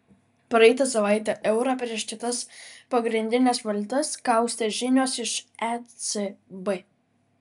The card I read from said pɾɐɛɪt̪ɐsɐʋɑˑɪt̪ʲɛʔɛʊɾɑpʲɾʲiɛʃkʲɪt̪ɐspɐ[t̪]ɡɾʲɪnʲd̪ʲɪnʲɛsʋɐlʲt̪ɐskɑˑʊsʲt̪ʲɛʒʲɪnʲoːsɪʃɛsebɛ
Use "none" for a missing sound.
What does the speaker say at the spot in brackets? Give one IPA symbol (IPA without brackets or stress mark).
none